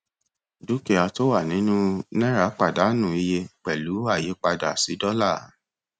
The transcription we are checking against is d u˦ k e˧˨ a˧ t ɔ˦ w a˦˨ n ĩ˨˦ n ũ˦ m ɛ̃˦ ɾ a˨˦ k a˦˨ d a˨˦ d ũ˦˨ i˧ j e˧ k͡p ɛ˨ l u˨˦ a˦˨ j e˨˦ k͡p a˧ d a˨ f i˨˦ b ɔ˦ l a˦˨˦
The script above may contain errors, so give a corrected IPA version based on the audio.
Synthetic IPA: d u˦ k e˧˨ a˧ t o˦ w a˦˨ n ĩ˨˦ n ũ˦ n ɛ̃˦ ɾ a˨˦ k͡p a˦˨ d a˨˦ n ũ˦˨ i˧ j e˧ k͡p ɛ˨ l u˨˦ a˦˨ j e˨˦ k͡p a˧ d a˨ s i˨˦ d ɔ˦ l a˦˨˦